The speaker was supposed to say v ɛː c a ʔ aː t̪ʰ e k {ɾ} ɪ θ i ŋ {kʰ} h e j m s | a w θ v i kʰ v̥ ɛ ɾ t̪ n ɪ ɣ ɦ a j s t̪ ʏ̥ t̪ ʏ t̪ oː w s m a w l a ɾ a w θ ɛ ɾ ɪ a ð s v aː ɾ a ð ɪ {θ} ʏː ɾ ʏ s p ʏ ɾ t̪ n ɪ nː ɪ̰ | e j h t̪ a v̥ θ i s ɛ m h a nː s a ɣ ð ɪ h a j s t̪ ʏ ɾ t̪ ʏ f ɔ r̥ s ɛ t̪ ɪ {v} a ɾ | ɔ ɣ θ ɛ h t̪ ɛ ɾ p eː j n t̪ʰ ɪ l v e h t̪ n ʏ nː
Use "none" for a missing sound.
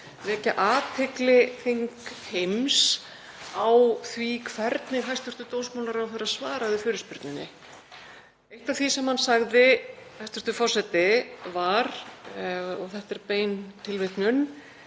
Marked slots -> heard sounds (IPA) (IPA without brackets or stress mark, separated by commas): l, k, f, v